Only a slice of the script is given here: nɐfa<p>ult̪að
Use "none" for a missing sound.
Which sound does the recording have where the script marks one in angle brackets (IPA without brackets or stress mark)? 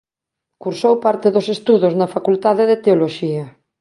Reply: k